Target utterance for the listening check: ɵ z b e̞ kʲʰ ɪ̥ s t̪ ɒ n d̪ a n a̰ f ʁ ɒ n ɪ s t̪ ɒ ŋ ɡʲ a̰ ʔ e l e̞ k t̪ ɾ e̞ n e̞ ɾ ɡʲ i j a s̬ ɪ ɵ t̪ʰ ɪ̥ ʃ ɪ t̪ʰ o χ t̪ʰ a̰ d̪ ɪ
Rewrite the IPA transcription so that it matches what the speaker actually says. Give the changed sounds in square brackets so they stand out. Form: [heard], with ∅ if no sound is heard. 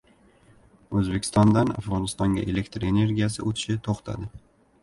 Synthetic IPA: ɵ z b e̞ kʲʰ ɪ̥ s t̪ ɒ n d̪ a n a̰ f ʁ ɒ n ɪ s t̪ ɒ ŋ ɡʲ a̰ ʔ e l e̞ k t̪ ɾ e̞ n e̞ ɾ ɡʲ i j a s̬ ɪ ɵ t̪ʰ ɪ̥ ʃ ɪ t̪ʰ o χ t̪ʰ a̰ d̪ ɪ